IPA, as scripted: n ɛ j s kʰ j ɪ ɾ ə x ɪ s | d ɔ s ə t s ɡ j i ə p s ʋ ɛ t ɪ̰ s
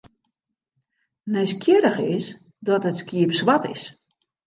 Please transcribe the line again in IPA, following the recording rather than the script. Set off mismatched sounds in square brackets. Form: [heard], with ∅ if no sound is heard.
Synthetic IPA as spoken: n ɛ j s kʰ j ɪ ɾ ə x ɪ s | d ɔ [t] ə t s [k] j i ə p s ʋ [a] t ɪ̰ s